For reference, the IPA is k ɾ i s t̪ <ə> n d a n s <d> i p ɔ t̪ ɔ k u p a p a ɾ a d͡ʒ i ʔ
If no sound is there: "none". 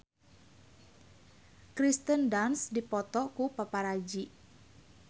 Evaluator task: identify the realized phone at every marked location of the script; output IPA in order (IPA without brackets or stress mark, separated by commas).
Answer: ə, d